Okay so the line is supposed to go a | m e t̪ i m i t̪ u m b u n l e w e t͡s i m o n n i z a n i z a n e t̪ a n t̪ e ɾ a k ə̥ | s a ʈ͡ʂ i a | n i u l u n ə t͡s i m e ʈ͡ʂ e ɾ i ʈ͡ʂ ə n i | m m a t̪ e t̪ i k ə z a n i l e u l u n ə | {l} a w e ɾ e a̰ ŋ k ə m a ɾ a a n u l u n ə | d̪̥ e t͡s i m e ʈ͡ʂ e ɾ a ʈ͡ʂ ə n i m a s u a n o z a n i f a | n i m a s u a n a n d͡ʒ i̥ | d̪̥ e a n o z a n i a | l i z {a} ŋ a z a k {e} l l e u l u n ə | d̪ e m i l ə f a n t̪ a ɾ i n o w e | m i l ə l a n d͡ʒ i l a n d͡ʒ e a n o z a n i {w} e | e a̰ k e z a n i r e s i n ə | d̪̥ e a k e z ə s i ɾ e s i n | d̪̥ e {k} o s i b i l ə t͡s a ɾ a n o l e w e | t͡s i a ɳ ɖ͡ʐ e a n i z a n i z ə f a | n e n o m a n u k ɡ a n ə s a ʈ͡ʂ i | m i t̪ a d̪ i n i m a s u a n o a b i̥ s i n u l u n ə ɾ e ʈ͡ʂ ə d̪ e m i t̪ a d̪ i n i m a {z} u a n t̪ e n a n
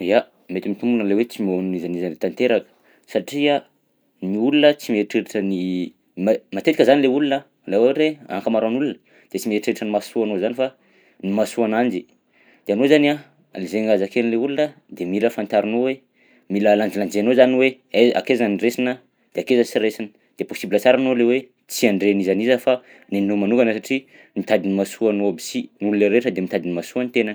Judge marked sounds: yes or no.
yes, no, yes, yes, no, no

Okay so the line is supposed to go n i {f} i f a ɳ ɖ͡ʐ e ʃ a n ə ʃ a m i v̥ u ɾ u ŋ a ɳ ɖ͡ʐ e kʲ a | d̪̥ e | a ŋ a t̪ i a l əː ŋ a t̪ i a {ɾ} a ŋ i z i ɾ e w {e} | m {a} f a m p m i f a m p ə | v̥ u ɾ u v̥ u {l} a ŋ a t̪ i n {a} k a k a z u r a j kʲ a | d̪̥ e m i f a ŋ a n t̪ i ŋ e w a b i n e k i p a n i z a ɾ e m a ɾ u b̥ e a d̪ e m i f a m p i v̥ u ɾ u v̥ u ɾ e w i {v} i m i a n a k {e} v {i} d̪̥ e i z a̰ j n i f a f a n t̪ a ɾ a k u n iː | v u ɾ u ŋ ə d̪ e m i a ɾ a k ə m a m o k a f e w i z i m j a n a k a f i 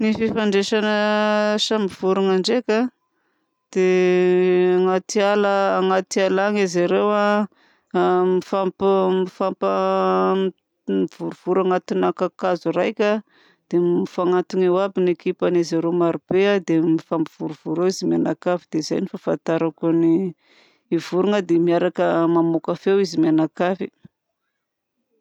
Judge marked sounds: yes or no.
yes, no, no, no, no, yes, no, no, yes

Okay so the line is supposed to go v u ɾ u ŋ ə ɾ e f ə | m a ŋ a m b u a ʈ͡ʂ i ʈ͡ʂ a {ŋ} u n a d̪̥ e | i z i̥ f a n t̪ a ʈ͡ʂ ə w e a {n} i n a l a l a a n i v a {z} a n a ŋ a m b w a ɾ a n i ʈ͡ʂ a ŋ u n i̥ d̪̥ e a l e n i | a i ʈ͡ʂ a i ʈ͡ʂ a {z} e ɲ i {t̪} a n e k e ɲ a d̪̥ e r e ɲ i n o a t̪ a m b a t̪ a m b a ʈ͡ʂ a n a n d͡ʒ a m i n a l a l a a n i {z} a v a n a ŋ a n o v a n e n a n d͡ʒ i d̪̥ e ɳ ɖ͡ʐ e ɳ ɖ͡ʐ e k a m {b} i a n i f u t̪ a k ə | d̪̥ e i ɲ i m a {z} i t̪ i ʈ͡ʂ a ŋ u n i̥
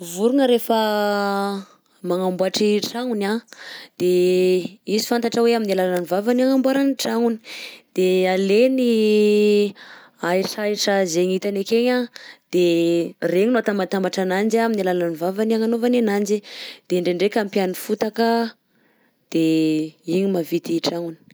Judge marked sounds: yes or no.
yes, no, no, yes, yes, no, no, no

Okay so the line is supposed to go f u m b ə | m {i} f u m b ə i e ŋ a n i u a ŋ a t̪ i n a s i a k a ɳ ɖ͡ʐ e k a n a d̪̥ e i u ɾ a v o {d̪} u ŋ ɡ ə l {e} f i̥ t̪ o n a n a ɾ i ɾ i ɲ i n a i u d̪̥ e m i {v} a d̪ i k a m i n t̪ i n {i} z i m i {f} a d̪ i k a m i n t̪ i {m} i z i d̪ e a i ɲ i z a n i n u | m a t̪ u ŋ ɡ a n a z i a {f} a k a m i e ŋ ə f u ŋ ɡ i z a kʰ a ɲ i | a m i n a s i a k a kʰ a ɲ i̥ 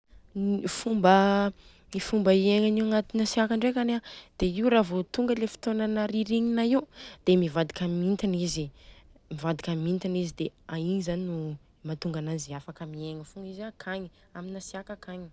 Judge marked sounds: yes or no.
yes, no, yes, yes, yes, no, no, yes

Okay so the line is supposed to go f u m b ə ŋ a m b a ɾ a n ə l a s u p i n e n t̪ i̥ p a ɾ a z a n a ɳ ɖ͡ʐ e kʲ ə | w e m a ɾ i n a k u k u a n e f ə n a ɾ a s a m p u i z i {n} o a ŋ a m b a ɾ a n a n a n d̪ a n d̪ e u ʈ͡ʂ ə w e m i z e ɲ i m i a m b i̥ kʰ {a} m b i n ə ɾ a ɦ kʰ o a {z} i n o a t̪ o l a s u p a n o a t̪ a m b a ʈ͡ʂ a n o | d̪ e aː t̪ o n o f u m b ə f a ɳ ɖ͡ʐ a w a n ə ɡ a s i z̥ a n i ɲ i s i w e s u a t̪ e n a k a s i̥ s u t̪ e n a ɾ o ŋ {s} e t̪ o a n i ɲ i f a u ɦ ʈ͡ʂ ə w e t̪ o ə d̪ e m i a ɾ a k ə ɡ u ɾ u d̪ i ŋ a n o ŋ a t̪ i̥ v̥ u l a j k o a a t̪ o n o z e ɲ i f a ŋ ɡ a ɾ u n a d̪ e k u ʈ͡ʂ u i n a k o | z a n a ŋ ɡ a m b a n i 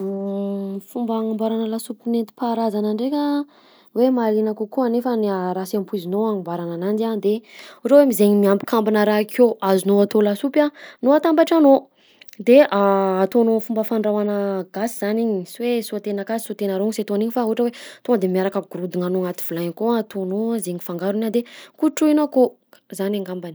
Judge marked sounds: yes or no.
yes, yes, yes, yes

